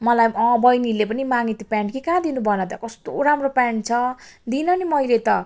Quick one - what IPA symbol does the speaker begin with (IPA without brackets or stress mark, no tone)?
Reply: m